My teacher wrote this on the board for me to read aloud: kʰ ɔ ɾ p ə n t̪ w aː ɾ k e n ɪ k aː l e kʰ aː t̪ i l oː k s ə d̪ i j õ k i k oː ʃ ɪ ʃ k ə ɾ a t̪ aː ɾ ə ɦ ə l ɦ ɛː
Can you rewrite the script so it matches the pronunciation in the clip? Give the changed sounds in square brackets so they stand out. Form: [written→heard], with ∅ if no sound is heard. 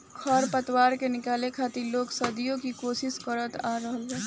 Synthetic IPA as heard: kʰ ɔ ɾ p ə [n→∅] t̪ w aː ɾ k e n ɪ k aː l e kʰ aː t̪ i l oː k s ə d̪ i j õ k i k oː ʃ ɪ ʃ k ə ɾ [a→ə] t̪ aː ɾ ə ɦ ə l ɦ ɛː